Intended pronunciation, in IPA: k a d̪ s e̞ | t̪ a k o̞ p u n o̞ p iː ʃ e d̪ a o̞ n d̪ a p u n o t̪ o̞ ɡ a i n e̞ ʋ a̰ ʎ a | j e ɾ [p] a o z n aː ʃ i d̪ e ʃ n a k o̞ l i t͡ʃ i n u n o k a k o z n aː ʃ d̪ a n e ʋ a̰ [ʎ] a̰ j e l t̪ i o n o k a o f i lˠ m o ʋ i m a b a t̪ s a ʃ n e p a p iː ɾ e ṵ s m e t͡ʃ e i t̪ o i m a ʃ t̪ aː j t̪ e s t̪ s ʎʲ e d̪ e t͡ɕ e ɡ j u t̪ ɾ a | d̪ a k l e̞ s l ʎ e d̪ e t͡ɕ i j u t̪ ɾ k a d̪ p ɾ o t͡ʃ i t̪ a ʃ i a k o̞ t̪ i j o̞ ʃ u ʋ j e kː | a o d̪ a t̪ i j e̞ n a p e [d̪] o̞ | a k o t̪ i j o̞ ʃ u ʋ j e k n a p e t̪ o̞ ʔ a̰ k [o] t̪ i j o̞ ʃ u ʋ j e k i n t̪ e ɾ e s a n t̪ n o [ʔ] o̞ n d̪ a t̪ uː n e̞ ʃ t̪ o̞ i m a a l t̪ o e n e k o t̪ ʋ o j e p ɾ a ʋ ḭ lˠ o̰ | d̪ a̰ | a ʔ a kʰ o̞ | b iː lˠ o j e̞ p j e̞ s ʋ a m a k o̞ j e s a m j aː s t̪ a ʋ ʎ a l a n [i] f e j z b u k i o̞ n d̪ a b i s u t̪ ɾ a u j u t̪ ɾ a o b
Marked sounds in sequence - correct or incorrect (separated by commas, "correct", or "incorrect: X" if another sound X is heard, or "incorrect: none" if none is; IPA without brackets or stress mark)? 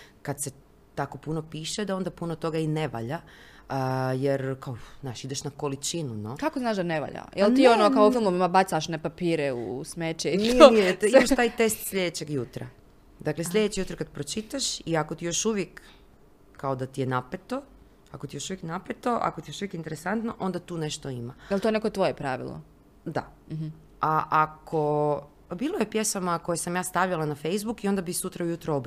incorrect: k, correct, incorrect: t̪, correct, correct, incorrect: a